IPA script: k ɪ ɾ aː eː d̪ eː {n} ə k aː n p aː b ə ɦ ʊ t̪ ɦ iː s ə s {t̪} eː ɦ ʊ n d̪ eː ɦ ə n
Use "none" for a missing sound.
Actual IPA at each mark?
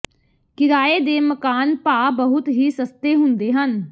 m, t̪

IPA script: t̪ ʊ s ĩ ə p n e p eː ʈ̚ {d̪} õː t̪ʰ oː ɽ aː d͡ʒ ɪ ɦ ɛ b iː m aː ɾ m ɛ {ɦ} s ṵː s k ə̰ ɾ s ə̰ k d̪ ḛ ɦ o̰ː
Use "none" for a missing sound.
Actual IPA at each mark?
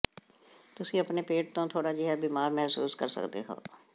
t̪, ɦ

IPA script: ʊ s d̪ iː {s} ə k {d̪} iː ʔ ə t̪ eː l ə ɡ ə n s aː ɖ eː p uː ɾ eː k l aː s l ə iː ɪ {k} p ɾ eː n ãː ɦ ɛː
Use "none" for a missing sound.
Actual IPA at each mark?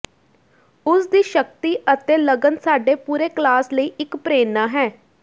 ʃ, t̪, k

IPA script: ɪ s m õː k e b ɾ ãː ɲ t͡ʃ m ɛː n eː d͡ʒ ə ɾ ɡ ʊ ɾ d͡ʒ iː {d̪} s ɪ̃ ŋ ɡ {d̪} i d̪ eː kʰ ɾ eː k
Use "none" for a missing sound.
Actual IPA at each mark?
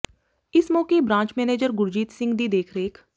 t̪, d̪

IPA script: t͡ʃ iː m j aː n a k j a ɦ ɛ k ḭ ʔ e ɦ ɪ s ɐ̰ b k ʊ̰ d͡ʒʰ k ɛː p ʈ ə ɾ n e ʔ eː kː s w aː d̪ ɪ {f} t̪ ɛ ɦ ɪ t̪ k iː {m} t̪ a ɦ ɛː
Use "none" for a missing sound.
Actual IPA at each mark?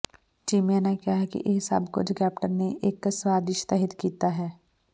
ʃ, none

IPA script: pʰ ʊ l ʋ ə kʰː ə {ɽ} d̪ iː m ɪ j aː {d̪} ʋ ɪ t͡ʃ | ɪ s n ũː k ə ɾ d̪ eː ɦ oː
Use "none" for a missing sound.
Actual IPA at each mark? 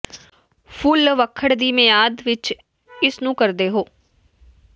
ɽ, d̪

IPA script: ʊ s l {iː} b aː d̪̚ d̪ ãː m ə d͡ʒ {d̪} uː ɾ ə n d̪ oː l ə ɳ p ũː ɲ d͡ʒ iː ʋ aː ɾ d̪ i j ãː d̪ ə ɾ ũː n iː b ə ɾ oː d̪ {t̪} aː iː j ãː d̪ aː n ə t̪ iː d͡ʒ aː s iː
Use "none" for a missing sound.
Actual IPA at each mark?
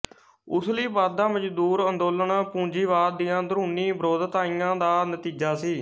iː, d̪, t̪

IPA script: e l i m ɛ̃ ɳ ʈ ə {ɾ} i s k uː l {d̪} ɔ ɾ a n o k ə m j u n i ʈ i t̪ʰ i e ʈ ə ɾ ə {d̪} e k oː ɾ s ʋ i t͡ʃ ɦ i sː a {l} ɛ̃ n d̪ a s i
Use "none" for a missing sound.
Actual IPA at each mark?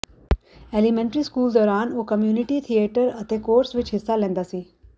ɾ, d̪, t̪, l

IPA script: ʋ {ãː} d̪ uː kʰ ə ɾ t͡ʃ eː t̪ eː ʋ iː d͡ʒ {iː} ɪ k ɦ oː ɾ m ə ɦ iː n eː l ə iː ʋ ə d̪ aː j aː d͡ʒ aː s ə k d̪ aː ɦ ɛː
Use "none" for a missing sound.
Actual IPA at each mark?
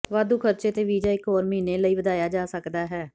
aː, aː

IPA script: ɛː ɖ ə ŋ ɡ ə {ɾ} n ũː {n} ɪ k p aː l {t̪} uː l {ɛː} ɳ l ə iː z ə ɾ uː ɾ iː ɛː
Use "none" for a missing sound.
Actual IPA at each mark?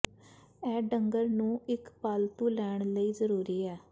ɾ, none, t̪, ɛː

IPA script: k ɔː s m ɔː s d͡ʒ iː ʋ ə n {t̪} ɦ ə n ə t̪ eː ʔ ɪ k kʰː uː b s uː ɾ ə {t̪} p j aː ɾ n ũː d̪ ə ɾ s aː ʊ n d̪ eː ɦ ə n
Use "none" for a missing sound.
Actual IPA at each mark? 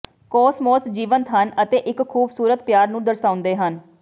t̪, t̪

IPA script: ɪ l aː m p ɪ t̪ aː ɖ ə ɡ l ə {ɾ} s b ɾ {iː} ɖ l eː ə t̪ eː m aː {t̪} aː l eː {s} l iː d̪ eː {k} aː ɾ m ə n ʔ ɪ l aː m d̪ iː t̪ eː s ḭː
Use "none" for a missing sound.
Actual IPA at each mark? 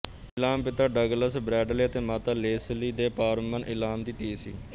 none, ɛː, t̪, s, p

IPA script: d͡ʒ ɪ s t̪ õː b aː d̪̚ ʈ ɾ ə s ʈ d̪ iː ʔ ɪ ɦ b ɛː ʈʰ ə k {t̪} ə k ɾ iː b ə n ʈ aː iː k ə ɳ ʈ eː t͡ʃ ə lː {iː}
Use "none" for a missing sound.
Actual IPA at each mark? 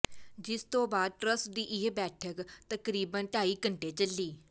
t̪, iː

